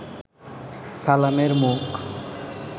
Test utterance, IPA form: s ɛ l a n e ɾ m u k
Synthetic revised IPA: s a l a m e ɾ m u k